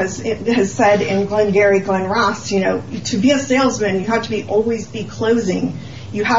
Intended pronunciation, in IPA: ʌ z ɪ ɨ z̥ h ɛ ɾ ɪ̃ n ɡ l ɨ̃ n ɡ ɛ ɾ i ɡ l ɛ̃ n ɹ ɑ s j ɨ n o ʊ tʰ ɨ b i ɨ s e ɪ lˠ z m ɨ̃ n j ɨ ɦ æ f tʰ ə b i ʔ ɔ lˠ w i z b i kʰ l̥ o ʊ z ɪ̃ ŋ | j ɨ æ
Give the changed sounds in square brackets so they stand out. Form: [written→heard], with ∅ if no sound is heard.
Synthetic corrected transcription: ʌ z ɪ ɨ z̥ [h→s] ɛ ɾ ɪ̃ n ɡ l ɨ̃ n ɡ ɛ [ɾ→ɹ] i ɡ l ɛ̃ n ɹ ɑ s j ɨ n o ʊ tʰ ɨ b i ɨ s e ɪ lˠ z m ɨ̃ n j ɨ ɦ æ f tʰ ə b i ʔ ɔ lˠ w i z b i kʰ l̥ o ʊ z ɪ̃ ŋ | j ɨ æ